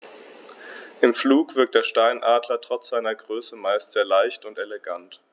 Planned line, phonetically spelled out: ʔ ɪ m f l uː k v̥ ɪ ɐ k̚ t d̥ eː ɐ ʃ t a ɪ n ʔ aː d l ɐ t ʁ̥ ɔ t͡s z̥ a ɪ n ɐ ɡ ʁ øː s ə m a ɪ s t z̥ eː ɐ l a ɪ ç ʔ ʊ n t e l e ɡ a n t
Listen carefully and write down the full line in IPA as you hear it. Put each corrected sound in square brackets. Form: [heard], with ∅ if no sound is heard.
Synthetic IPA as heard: ʔ ɪ m f l uː k v̥ ɪ ɐ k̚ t d̥ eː ɐ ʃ t a ɪ n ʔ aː d l ɐ t ʁ̥ ɔ t͡s z̥ a ɪ n ɐ ɡ ʁ øː s ə m a ɪ s t z̥ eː ɐ l a ɪ ç [t] ʊ n t e l e ɡ a n t